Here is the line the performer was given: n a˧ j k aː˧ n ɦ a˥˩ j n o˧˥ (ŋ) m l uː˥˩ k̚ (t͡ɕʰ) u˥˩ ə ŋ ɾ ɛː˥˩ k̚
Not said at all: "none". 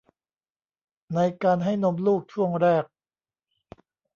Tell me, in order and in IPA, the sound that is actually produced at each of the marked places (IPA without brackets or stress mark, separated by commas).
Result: none, t͡ɕʰ